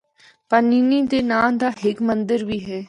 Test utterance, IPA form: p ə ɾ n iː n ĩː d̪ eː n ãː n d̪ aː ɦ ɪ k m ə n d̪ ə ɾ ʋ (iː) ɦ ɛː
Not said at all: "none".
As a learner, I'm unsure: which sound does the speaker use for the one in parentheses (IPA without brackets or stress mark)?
iː